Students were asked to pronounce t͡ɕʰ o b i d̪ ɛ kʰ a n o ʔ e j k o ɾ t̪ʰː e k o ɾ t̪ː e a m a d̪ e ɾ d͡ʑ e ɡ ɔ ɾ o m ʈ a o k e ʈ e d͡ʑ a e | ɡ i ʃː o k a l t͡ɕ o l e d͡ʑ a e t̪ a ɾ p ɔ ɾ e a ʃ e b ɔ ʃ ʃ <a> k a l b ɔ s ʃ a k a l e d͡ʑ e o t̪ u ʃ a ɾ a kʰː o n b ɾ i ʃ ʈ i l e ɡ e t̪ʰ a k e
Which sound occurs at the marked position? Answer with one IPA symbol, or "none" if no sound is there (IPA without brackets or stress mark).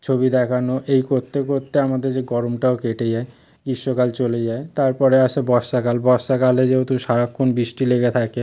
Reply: a